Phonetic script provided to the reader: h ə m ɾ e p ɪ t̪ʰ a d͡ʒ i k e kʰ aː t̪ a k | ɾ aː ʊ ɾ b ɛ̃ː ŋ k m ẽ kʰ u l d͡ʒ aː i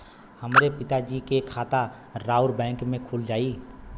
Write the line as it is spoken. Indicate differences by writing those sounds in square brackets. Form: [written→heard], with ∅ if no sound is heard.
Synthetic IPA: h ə m ɾ e p ɪ [t̪ʰ→t̪] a d͡ʒ i k e kʰ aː t̪ a [k→∅] | ɾ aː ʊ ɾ b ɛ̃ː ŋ k m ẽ kʰ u l d͡ʒ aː i